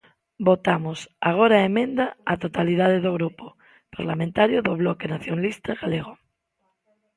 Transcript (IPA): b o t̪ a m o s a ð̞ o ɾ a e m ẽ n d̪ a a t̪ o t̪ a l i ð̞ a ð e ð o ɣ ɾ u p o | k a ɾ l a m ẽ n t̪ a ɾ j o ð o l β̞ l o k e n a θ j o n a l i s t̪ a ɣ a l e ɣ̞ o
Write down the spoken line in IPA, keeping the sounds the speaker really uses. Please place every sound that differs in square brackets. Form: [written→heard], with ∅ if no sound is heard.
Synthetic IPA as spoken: b o t̪ a m o s a [ð̞→ɣ̞] o ɾ a e m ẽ n d̪ a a t̪ o t̪ a l i ð̞ a ð e ð o ɣ ɾ u p o | [k→p] a ɾ l a m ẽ n t̪ a ɾ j o ð o [l→∅] β̞ l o k e n a θ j o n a l i s t̪ a ɣ a l e ɣ̞ o